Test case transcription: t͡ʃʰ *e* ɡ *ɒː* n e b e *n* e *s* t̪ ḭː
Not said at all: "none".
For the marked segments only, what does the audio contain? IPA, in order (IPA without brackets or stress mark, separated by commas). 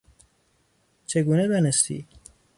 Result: e, uː, n, s